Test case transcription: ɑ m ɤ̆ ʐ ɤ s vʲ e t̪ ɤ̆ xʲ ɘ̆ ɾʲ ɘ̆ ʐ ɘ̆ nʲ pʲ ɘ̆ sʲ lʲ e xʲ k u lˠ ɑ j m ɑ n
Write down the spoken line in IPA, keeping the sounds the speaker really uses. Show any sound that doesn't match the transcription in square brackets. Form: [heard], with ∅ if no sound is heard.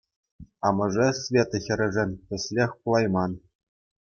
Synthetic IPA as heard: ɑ m ɤ̆ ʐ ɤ s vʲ e t̪ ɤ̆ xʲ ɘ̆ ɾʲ ɘ̆ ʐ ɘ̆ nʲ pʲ ɘ̆ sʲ lʲ e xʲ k u lˠ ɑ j m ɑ n